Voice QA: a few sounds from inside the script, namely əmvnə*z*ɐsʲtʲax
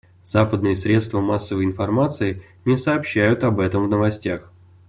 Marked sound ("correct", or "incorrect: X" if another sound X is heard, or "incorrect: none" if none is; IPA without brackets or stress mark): incorrect: v